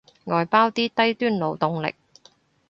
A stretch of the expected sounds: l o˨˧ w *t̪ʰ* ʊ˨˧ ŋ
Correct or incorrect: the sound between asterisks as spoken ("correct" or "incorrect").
incorrect